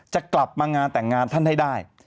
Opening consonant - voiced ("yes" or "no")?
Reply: no